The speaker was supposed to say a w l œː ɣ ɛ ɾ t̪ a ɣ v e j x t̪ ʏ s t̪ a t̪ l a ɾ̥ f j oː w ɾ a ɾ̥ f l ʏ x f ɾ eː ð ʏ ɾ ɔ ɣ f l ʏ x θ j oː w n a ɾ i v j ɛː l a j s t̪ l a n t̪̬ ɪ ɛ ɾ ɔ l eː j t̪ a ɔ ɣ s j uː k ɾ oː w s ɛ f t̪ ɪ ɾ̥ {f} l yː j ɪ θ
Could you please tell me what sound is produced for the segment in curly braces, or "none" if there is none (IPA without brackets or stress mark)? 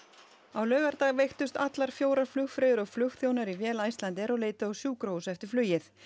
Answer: f